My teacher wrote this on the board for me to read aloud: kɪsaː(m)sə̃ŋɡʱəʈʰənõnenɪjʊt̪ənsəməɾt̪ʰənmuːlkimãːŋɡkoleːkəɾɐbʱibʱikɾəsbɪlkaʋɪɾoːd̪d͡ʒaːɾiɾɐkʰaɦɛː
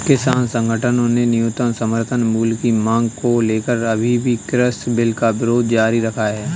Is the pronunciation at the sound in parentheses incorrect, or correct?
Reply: incorrect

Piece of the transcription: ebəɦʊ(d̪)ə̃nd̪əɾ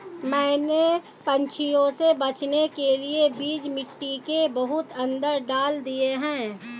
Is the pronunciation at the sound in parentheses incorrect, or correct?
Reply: incorrect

